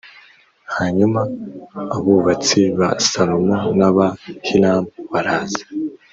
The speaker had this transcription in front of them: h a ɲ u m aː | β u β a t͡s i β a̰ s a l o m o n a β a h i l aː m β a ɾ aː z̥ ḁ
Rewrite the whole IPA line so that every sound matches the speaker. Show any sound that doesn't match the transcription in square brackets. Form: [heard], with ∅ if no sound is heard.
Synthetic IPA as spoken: h a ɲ u m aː | β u β a t͡s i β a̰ s a l o m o n a β a h i l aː m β a ɾ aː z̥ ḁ